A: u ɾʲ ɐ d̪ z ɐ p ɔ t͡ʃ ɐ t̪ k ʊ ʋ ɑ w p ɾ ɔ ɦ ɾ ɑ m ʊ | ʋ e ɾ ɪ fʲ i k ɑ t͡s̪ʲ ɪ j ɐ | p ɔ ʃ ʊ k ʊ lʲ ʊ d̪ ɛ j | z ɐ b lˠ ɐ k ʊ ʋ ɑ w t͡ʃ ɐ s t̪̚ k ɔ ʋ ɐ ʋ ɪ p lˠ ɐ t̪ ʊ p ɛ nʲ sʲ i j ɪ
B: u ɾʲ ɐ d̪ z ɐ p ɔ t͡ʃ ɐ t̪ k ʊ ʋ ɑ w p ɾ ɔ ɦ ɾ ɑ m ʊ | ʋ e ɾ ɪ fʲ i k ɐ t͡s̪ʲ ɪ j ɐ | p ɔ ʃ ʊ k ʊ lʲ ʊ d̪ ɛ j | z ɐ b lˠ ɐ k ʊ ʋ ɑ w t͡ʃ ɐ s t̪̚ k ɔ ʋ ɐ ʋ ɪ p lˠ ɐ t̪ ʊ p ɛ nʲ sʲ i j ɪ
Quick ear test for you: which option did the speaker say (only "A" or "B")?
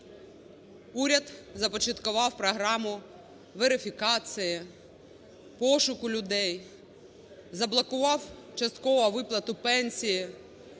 A